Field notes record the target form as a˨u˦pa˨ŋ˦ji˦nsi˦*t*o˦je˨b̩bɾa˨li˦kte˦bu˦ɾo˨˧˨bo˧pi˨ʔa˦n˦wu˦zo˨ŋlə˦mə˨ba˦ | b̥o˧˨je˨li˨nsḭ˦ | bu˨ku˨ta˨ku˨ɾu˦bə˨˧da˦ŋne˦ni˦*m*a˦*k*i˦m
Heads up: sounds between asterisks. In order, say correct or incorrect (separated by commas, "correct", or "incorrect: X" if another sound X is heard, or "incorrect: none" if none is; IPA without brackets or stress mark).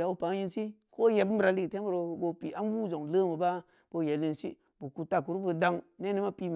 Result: incorrect: k, correct, incorrect: p